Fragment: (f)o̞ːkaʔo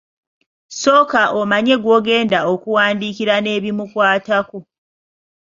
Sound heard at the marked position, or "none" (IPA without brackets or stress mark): s